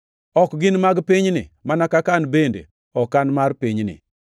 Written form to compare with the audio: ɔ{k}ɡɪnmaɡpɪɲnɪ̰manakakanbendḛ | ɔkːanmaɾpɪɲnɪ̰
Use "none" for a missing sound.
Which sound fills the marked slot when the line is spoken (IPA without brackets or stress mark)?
k